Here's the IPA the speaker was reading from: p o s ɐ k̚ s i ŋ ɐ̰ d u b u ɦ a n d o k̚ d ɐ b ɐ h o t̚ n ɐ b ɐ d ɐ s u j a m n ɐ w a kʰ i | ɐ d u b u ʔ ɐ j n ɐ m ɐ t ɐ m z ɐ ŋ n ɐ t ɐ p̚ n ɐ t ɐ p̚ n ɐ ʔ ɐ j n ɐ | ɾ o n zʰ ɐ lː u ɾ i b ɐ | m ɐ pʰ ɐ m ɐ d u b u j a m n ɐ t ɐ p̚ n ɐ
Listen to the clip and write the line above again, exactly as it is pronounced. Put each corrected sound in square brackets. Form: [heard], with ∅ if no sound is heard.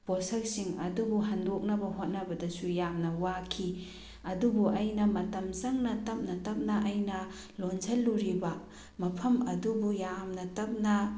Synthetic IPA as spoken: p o s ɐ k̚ s i ŋ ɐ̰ d u b u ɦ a n d o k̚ [n] ɐ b ɐ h o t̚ n ɐ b ɐ d ɐ s u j a m n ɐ w a kʰ i | ɐ d u b u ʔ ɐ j n ɐ m ɐ t ɐ m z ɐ ŋ n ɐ t ɐ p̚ n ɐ t ɐ p̚ n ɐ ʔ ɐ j n ɐ | [l] o n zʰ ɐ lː u ɾ i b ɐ | m ɐ pʰ ɐ m ɐ d u b u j a m n ɐ t ɐ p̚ n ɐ